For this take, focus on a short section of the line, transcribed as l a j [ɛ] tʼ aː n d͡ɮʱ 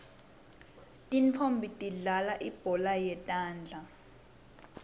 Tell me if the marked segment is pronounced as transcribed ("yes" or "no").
yes